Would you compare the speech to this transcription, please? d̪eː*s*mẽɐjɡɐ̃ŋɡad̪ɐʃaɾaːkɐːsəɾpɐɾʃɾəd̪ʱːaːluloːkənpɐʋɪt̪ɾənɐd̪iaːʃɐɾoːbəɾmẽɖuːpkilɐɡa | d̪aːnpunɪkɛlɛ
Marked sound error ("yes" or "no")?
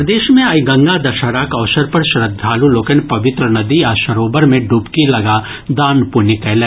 yes